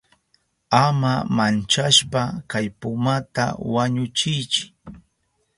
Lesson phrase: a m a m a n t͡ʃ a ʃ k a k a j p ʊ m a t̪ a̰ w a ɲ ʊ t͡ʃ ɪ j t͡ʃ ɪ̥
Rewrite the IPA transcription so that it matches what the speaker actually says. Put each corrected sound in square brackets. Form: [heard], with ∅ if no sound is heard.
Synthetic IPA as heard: a m a m a n t͡ʃ a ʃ [p] a k a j p ʊ m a t̪ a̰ w a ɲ ʊ t͡ʃ ɪ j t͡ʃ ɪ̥